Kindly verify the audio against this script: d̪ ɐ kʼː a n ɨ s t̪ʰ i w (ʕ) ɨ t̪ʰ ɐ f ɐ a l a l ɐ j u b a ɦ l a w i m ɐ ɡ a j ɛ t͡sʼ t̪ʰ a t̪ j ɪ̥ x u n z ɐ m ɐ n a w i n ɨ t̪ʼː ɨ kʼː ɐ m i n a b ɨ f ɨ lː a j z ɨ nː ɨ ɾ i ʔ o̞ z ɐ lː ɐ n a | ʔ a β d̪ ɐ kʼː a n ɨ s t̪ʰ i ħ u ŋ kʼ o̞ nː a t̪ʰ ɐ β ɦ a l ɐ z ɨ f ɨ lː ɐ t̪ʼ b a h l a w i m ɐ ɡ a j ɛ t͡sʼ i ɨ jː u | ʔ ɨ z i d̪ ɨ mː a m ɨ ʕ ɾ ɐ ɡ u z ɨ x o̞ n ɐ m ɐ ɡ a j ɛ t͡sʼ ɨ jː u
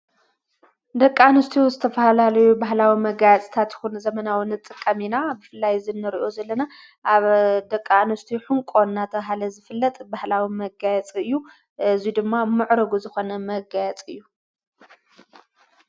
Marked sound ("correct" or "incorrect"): incorrect